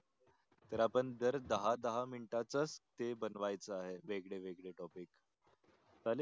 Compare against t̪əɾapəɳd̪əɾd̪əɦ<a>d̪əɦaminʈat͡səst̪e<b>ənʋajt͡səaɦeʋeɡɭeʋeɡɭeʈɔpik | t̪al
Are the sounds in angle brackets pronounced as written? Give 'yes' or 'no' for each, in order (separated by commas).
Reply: yes, yes